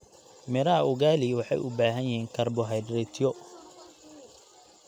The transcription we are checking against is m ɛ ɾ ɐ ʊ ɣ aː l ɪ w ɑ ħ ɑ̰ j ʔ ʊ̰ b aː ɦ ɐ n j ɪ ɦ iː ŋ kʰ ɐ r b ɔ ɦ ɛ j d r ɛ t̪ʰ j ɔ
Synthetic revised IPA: m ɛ ɾ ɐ ʊ ɣ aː l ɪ w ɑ ħ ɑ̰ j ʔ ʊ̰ b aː ɦ ɐ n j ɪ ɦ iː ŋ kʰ ɐ r b ɔ ɦ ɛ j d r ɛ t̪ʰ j ɔ

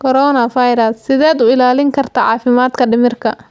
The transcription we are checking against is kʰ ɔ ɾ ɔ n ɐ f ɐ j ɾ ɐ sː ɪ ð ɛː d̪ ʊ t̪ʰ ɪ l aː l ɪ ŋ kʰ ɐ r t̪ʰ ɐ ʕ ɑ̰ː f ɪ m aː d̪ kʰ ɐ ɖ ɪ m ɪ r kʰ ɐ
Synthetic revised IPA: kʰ ɔ ɾ ɔ n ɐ f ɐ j ɾ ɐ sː ɪ ð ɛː d̪ ʊ ɪ l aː l ɪ ŋ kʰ ɐ r t̪ʰ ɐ ʕ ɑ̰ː f ɪ m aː d̪ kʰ ɐ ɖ ɪ m ɪ r kʰ ɐ

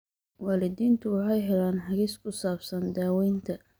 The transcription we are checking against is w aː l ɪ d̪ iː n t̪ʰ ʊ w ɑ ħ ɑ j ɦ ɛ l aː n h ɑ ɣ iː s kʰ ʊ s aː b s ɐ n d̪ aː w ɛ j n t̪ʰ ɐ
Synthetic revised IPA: w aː l ɪ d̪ iː n t̪ʰ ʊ w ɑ ħ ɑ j ɦ ɛ l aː n ħ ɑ ɣ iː s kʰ ʊ s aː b s ɐ n d̪ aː w ɛ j n t̪ʰ ɐ

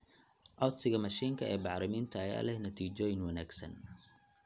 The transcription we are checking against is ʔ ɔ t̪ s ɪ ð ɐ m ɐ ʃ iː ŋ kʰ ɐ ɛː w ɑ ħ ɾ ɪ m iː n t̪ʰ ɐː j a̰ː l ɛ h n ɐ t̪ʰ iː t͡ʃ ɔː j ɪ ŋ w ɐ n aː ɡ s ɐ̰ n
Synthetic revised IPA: ʔ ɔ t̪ s ɪ ɣ ɐ m ɐ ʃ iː ŋ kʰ ɐ ɛː b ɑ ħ ɾ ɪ m iː n t̪ʰ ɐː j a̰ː l ɛ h n ɐ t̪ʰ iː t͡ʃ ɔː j ɪ ŋ w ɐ n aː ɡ s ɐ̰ n

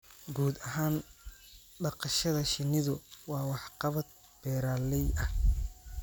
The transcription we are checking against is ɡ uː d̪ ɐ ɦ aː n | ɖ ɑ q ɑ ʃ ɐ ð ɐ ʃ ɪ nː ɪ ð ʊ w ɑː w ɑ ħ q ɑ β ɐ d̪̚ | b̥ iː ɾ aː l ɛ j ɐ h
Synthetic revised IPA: ɡ uː d̪ ɐ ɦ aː n | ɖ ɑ q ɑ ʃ ɐ ð ɐ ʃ ɪ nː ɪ ð ʊ w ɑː w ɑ ħ q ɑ β ɐ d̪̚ | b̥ ɛː ɾ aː l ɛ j ɐ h

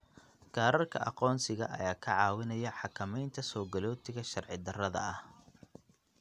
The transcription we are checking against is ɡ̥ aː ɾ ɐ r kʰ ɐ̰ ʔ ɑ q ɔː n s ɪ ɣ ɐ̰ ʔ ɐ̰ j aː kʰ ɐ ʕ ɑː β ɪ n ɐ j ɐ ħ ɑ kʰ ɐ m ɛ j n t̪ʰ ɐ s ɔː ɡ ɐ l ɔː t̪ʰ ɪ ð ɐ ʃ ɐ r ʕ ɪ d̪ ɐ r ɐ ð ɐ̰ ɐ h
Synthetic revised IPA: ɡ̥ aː ɾ ɐ r kʰ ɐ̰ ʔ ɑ q ɔː n s ɪ ɣ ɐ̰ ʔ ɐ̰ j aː kʰ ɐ ʕ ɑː w ɪ n ɐ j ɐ ħ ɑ kʰ ɐ m ɛ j n t̪ʰ ɐ s ɔː ɡ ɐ l ɔː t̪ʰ ɪ ɣ ɐ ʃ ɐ r ʕ ɪ d̪ ɐ r ɐ ð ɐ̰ ɐ h

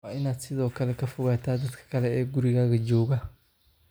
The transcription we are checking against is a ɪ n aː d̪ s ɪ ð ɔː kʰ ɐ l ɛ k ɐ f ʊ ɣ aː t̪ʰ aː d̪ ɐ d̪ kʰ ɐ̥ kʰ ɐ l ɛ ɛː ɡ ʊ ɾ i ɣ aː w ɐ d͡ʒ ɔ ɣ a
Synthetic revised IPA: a ɪ n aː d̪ s ɪ ð ɔː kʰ ɐ l ɛ k ɐ f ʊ ɣ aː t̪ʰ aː d̪ ɐ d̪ kʰ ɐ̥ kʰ ɐ l ɛ ɛː ɡ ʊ ɾ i ɣ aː ɣ ɐ d͡ʒ ɔː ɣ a

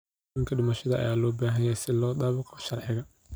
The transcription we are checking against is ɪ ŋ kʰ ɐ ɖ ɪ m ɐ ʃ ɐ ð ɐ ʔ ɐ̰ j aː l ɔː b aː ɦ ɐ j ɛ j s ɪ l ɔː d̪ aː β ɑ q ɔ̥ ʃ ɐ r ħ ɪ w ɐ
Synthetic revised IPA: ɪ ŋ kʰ ɐ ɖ ɪ m ɐ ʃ ɐ ð ɐ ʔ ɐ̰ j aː l ɔː b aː ɦ ɐ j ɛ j s ɪ l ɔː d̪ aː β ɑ q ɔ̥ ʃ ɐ r ħ ɪ ɣ ɐ

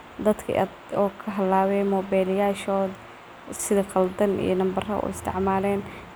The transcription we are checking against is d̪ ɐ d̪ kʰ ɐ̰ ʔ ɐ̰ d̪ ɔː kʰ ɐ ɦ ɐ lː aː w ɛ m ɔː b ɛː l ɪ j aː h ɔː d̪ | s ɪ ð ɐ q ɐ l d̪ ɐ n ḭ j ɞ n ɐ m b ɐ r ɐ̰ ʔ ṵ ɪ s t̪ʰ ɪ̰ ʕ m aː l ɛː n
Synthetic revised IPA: d̪ ɐ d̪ kʰ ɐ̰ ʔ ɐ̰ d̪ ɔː kʰ ɐ ɦ ɐ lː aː w ɛ m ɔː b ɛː l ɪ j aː ʃ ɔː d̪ | s ɪ ð ɐ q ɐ l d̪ ɐ n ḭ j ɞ n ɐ m b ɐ r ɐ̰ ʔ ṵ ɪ s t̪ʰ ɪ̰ ʕ m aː l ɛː n

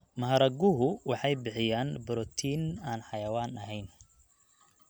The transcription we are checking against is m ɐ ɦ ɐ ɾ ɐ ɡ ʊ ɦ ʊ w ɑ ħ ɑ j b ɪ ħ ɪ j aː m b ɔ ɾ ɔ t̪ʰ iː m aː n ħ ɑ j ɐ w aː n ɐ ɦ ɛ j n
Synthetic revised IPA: m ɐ ɦ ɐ ɾ ɐ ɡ ʊ ɦ ʊ w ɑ ħ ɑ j b ɪ ħ ɪ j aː n b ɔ ɾ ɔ t̪ʰ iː n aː n ħ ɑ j ɐ w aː n ɐ ɦ ɛ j n

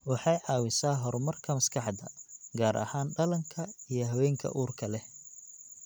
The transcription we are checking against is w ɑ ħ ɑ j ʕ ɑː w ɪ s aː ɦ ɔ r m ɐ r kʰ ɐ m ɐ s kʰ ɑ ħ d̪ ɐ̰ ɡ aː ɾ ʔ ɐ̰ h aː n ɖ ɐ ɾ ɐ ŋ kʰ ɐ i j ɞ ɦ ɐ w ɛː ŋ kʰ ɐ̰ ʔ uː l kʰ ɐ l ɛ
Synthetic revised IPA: w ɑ ħ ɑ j ʕ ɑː w ɪ s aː ɦ ɔ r m ɐ r kʰ ɐ m ɐ s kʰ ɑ ħ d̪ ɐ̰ ɡ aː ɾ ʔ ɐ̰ h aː n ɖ ɐ l ɐ ŋ kʰ ɐ i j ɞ ɦ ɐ w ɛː ŋ kʰ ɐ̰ ʔ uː r kʰ ɐ l ɛ

